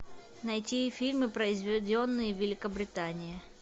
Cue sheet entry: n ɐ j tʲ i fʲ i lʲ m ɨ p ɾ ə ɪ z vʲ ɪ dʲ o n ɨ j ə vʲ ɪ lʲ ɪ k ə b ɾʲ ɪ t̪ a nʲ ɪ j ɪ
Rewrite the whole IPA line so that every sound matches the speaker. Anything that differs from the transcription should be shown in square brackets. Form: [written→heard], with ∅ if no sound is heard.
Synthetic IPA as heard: n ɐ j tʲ i fʲ i lʲ m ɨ p ɾ ə ɪ z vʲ ɪ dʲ o [n→nː] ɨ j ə vʲ ɪ lʲ ɪ k ə b ɾʲ ɪ t̪ a nʲ ɪ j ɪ